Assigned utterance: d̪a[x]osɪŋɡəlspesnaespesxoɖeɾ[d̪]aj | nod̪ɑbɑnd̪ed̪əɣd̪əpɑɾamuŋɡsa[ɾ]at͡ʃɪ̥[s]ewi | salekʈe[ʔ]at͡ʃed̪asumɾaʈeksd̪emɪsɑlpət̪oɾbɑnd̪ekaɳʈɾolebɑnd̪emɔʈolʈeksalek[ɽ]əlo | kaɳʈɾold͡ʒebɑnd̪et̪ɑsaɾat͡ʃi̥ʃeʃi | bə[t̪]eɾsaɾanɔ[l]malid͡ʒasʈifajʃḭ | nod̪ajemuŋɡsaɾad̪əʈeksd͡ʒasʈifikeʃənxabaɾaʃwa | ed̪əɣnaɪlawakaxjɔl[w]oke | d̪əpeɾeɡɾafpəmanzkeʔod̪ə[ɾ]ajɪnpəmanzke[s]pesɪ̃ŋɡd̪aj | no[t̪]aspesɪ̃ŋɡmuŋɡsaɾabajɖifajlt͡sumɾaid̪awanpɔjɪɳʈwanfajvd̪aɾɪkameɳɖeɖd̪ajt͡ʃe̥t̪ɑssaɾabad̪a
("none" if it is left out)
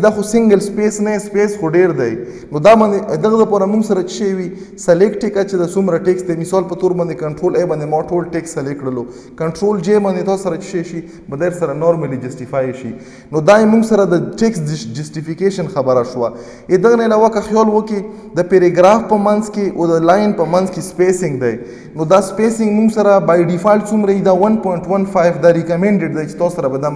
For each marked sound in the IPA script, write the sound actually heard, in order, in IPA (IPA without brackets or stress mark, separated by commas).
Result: x, d̪, ɾ, ʃ, k, ɽ, d̪, ɾ, w, l, s, d̪